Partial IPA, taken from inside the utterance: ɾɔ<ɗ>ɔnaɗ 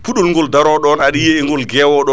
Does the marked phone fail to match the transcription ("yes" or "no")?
no